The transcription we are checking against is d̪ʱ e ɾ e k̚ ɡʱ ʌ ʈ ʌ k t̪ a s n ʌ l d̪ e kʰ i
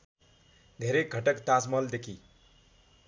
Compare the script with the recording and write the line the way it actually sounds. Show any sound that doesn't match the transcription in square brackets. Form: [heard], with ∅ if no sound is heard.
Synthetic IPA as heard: d̪ʱ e ɾ e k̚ ɡʱ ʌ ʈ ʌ k t̪ a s [m] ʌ l d̪ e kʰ i